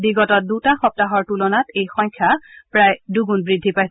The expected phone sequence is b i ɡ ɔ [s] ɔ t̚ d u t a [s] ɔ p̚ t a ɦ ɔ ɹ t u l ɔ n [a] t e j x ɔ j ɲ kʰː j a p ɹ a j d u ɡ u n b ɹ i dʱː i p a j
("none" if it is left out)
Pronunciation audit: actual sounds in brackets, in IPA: t, x, a

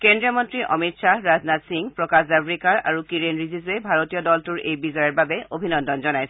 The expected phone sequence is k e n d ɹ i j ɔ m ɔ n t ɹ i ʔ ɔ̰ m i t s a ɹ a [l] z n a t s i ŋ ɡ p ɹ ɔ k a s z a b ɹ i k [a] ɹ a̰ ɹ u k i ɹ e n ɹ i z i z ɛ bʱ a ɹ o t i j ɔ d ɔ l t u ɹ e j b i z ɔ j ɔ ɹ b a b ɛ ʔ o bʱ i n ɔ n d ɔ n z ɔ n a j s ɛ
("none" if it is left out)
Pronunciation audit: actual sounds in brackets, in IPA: none, a

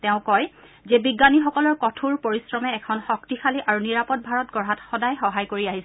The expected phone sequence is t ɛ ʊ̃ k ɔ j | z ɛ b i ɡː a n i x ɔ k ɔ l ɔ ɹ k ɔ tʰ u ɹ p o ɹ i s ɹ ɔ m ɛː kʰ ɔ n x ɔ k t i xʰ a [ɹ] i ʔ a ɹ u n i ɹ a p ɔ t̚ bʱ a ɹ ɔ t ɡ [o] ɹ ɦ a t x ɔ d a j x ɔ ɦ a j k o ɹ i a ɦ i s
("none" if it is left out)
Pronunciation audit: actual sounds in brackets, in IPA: l, ɔ

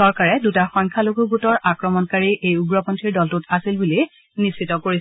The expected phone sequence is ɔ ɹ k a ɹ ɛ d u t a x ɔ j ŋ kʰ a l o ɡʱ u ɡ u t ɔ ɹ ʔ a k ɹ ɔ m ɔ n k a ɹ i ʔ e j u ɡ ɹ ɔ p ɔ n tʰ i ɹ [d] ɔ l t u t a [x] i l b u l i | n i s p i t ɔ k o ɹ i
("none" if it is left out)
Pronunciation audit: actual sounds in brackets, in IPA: d, s

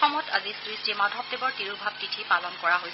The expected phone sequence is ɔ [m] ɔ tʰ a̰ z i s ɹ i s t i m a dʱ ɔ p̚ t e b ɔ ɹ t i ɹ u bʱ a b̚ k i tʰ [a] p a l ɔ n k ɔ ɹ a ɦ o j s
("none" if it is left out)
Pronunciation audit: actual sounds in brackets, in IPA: m, i

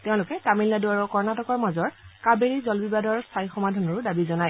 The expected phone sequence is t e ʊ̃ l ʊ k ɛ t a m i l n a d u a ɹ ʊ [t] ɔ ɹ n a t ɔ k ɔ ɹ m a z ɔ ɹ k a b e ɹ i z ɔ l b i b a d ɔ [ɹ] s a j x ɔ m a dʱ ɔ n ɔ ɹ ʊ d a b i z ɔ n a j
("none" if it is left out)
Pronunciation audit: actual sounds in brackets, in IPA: k, ɹ

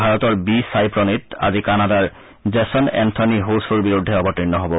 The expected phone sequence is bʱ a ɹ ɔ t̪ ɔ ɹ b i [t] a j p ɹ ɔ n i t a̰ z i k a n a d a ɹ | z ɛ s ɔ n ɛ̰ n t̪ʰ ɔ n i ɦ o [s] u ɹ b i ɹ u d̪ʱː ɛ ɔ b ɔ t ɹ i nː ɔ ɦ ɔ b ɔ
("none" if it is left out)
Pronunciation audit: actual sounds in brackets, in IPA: s, s

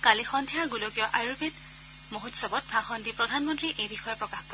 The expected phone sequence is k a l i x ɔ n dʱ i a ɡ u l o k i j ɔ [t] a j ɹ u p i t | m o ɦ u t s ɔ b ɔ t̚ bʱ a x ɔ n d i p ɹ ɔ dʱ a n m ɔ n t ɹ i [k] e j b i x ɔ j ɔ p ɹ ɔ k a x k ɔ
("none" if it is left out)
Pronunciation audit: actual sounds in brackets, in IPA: ʔ, ʔ

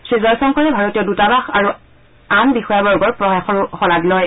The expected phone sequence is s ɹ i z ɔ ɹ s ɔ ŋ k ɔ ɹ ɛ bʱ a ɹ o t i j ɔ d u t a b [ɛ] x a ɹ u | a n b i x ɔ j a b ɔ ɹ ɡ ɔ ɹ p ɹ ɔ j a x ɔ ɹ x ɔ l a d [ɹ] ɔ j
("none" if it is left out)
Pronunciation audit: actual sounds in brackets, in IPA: a, l

